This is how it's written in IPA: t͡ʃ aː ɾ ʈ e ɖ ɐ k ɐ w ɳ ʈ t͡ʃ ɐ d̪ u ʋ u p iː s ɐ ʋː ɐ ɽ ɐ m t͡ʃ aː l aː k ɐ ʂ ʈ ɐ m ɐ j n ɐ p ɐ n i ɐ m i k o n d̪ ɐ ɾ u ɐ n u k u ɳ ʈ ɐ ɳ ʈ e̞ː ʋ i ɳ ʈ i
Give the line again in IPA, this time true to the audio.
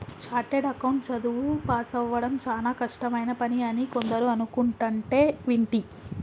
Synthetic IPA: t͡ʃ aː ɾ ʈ e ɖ ɐ k ɐ w ɳ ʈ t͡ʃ ɐ d̪ u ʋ u p aː s ɐ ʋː ɐ ɽ ɐ m t͡ʃ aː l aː k ɐ ʂ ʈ ɐ m ɐ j n ɐ p ɐ n i ɐ n i k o n d̪ ɐ ɾ u ɐ n u k u ɳ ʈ ɐ ɳ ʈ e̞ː ʋ i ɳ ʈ i